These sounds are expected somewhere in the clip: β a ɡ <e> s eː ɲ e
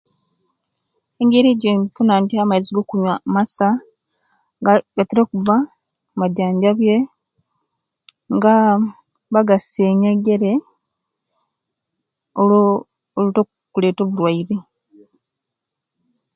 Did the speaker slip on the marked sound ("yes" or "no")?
yes